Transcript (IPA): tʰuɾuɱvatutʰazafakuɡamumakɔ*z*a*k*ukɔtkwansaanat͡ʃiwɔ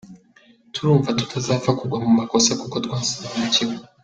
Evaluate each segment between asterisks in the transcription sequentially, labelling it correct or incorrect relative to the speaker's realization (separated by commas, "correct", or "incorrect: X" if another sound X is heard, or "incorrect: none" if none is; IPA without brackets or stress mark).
incorrect: s, correct